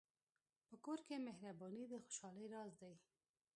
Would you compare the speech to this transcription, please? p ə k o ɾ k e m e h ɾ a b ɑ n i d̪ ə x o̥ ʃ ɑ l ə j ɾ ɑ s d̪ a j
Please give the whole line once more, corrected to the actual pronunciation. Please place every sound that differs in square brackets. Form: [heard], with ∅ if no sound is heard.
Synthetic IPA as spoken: p ə k o ɾ k e m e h ɾ a b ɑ n i d̪ ə x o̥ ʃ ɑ l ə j ɾ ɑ [z] d̪ a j